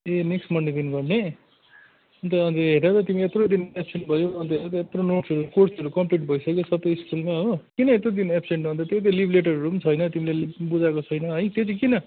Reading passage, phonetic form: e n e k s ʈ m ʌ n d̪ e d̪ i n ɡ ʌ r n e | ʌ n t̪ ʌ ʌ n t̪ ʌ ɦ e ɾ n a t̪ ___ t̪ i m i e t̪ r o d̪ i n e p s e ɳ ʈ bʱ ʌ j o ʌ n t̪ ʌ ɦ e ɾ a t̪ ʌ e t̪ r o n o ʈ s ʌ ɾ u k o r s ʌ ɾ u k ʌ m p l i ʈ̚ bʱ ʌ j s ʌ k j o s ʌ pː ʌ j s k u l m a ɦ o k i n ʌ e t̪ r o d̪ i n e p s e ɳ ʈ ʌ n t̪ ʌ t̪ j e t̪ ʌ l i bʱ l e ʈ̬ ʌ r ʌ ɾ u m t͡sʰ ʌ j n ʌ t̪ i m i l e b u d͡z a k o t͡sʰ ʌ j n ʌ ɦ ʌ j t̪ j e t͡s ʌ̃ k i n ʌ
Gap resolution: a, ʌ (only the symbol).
ʌ